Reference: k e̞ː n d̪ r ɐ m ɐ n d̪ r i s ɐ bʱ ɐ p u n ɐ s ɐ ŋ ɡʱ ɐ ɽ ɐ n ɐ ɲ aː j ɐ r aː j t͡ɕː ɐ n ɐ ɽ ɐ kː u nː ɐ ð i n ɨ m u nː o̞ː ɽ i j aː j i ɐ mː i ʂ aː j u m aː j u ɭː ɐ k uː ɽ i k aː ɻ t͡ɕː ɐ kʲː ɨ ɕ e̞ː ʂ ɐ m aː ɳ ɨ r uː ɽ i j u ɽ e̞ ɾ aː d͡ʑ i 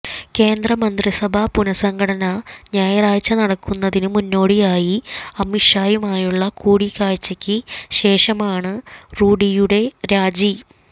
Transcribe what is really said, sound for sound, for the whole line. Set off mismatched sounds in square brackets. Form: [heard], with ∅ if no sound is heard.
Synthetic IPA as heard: k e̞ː n d̪ r ɐ m ɐ n d̪ r i s ɐ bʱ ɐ p u n ɐ s ɐ ŋ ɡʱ ɐ ɽ ɐ n ɐ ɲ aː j ɐ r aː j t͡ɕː ɐ n ɐ ɽ ɐ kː u nː ɐ ð i n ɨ m u nː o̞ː ɽ i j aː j i ɐ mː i ʂ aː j u m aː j u ɭː ɐ k uː ɽ i k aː ɻ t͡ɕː ɐ kʲː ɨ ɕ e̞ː ʂ ɐ m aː ɳ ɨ r uː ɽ i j u ɽ e̞ ɾ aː d͡ʑ i